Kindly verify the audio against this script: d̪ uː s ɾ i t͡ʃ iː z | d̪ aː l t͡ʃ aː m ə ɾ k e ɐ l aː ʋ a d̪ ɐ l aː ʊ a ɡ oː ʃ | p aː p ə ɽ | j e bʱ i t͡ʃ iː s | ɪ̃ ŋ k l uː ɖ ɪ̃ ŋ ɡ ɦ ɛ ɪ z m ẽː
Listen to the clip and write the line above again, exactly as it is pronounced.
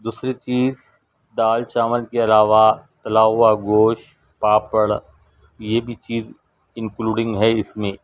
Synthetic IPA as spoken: d̪ uː s ɾ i t͡ʃ iː z | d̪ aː l t͡ʃ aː m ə l k e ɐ l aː ʋ a t̪ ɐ l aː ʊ a ɡ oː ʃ | p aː p ə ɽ | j e bʱ i t͡ʃ iː z | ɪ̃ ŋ k l uː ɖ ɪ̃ ŋ ɡ ɦ ɛ ɪ s m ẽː

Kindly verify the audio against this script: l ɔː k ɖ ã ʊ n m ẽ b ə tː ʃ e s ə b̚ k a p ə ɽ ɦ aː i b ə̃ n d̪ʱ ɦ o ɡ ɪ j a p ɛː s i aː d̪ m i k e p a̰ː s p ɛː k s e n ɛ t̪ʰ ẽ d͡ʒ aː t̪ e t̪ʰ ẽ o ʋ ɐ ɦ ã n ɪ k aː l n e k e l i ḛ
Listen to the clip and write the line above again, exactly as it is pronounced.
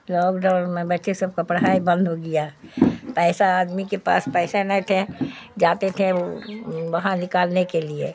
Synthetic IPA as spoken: l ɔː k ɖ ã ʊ n m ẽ b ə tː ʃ e s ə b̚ k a p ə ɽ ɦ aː i b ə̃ n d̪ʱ ɦ o ɡ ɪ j a p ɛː s a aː d̪ m i k e p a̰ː s p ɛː s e n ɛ t̪ʰ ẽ d͡ʒ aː t̪ e t̪ʰ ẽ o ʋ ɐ ɦ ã n ɪ k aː l n e k e l i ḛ

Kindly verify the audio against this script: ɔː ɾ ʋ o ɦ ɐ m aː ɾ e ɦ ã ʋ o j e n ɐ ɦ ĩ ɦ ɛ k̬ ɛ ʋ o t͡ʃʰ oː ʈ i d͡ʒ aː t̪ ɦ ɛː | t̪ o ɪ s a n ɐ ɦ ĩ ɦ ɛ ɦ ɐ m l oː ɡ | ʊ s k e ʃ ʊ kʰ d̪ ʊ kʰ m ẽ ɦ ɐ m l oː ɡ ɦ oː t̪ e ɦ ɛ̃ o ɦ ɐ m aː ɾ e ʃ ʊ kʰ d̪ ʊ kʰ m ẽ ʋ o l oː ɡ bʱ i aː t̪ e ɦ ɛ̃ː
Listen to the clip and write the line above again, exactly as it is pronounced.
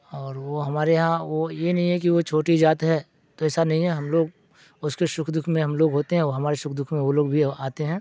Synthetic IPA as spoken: ɔː ɾ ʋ o ɦ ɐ m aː ɾ e ɦ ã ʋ o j e n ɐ ɦ ĩ ɦ ɛ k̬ i ʋ o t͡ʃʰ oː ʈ i d͡ʒ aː t̪ ɦ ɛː | t̪ o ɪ s a n ɐ ɦ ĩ ɦ ɛ ɦ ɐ m l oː ɡ | ʊ s k e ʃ ʊ kʰ d̪ ʊ kʰ m ẽ ɦ ɐ m l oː ɡ ɦ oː t̪ e ɦ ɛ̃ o ɦ ɐ m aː ɾ e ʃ ʊ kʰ d̪ ʊ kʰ m ẽ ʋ o l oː ɡ bʱ i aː t̪ e ɦ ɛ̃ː

